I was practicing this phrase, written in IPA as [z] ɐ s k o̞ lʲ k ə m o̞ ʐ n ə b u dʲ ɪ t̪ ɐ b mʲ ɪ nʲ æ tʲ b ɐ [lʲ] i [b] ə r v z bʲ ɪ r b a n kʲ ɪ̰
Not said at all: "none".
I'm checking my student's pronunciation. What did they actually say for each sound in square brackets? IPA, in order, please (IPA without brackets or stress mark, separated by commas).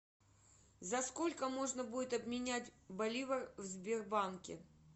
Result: z, lʲ, v